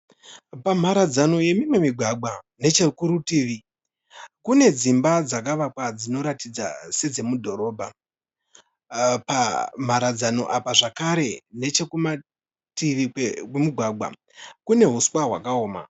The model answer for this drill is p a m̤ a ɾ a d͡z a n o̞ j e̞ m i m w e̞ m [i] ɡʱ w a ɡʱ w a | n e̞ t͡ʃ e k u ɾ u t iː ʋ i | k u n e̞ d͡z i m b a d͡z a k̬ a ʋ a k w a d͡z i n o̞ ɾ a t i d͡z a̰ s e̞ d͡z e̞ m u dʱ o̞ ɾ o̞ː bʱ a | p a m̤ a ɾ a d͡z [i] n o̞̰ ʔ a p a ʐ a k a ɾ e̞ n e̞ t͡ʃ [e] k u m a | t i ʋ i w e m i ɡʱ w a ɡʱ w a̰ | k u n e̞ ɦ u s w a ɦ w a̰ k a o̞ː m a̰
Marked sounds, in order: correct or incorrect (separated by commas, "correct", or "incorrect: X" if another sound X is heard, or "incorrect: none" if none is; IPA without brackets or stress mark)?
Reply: correct, incorrect: a, correct